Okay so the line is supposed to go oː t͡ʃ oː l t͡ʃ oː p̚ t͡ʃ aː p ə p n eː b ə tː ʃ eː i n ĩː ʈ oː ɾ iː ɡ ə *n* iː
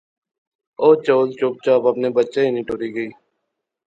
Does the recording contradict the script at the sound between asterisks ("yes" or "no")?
yes